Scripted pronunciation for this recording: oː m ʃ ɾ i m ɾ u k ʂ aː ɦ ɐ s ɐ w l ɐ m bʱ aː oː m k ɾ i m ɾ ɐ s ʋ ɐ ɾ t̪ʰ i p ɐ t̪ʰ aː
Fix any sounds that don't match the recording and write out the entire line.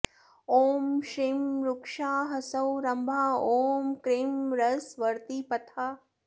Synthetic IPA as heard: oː m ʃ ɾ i m ɾ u k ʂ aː ɦ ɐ s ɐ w ɾ ɐ m bʱ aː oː m k ɾ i m ɾ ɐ s ʋ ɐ ɾ t̪ i p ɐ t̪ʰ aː